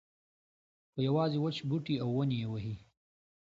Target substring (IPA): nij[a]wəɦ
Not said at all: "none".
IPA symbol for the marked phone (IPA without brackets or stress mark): e